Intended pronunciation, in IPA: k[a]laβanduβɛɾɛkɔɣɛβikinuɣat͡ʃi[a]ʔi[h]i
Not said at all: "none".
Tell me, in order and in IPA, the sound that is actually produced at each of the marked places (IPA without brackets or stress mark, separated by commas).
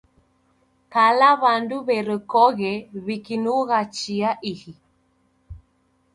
a, a, h